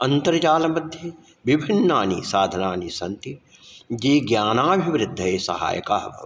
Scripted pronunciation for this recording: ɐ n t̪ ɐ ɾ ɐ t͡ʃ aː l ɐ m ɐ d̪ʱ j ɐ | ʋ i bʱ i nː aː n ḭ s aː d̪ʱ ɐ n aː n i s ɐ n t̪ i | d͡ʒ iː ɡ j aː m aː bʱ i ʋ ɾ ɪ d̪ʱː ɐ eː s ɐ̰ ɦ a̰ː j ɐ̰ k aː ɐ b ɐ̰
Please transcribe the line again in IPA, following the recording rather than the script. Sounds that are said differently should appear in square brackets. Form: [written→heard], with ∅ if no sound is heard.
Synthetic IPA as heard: ɐ n t̪ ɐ ɾ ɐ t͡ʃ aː l ɐ m ɐ d̪ʱ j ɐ | ʋ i bʱ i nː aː n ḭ s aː d̪ʱ ɐ n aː n i s ɐ n t̪ i | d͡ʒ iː ɡ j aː [m→n] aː bʱ i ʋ ɾ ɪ d̪ʱː ɐ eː s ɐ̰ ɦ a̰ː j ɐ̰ k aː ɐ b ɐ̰